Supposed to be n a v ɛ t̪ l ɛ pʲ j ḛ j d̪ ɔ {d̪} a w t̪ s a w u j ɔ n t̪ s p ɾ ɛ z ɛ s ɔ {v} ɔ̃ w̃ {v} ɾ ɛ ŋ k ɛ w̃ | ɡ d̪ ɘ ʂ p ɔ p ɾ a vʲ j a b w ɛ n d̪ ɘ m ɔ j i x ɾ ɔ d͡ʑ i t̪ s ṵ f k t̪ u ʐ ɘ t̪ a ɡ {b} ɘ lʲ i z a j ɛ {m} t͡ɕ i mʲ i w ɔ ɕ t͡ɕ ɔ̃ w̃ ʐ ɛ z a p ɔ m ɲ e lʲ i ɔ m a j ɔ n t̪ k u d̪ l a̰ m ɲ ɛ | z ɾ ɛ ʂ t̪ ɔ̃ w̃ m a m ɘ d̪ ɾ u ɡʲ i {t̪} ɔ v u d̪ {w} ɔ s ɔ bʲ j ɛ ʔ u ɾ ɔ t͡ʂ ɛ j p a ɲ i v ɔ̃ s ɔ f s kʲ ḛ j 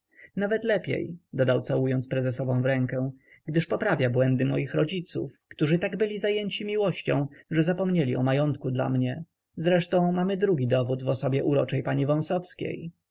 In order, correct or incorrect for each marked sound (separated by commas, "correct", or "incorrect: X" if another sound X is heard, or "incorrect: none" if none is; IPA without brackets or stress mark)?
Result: correct, correct, correct, correct, incorrect: ɲ, incorrect: d̪, incorrect: v